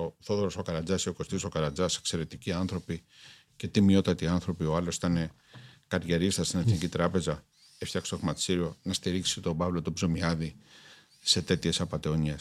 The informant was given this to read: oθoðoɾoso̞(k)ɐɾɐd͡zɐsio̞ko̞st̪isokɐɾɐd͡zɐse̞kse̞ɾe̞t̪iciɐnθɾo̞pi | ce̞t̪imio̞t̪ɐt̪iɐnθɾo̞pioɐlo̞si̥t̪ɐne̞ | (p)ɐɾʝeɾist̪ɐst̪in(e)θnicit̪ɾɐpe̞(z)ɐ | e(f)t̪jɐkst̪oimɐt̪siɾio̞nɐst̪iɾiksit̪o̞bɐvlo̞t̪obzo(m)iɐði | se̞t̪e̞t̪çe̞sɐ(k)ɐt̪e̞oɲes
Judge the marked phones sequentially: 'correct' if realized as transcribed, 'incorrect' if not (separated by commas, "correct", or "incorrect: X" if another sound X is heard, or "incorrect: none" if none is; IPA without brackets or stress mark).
correct, incorrect: k, correct, correct, correct, correct, incorrect: p